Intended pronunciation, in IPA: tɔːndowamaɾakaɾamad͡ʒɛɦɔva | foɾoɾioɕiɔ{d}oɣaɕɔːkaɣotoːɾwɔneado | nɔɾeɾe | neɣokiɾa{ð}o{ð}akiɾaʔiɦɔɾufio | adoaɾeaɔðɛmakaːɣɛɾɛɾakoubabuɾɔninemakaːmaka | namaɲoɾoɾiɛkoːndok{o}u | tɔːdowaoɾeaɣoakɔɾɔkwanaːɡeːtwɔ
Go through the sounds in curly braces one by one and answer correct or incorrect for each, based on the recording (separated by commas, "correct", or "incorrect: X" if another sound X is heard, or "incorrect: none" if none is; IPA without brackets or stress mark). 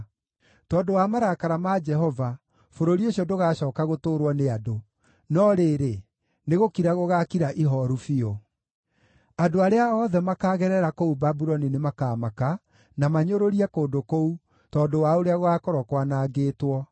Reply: correct, incorrect: ɣ, incorrect: ɣ, correct